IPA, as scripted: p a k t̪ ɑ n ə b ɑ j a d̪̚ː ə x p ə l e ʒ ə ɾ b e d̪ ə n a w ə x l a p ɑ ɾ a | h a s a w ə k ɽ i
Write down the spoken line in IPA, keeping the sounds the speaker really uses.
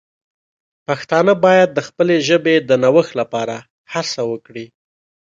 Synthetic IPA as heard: p a x t̪ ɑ n ə b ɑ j a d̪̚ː ə x p ə l e ʒ ə b e d̪ ə n a w ə x l a p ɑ ɾ a | h a s a w ə k ɽ i